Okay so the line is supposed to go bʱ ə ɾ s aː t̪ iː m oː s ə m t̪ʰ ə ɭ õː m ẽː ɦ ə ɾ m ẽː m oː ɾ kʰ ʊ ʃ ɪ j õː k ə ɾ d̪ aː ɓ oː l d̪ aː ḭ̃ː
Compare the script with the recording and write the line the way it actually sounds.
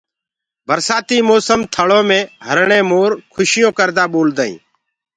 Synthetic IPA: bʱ ə ɾ s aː t̪ iː m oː s ə m t̪ʰ ə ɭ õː m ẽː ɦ ə ɾ ɳ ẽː m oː ɾ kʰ ʊ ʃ ɪ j õː k ə ɾ d̪ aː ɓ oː l d̪ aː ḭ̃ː